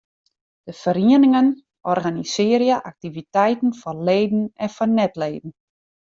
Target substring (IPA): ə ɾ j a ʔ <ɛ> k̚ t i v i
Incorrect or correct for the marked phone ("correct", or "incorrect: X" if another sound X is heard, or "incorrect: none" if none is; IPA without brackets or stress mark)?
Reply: incorrect: a